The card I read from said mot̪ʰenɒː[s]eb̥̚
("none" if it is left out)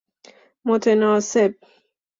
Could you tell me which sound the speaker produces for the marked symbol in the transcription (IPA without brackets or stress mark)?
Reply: s